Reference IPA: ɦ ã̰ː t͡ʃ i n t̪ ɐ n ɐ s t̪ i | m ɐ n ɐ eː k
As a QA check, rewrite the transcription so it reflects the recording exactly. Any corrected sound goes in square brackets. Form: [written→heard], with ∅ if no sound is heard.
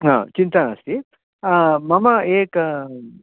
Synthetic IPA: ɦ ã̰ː t͡ʃ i n t̪ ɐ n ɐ s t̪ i | m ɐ [n→m] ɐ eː k